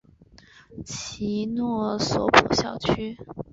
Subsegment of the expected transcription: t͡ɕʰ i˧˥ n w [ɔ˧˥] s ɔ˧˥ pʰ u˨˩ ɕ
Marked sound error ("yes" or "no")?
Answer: yes